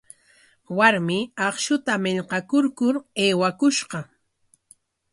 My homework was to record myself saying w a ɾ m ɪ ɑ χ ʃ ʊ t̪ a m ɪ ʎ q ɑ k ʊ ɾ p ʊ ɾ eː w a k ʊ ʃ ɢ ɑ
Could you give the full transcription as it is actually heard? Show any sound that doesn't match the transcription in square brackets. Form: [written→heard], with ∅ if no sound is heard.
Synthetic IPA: w a ɾ m ɪ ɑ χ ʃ ʊ t̪ a m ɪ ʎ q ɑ k ʊ ɾ [p→k] ʊ ɾ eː w a k ʊ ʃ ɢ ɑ